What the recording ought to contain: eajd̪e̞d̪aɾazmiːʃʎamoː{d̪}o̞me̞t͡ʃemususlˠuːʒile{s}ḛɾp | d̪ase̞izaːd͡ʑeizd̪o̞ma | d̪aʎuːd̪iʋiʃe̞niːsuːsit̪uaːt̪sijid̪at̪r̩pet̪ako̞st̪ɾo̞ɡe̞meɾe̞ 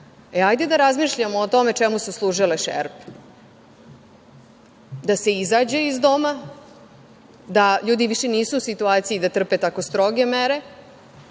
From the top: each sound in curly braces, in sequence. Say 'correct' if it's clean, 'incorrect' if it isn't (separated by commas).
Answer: incorrect, incorrect